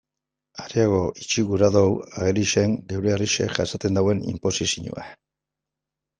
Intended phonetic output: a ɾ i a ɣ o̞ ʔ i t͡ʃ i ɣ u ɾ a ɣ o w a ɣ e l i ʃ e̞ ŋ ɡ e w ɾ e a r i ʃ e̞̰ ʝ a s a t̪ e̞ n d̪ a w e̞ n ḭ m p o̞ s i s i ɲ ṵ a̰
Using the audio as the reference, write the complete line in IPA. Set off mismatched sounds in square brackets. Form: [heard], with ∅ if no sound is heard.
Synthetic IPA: a ɾ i a ɣ o̞ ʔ i t͡ʃ i ɣ u ɾ a [ð] o w a ɣ e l i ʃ e̞ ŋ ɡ e w ɾ e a r i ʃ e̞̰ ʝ a s a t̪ e̞ n d̪ a w e̞ n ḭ m p o̞ s i s i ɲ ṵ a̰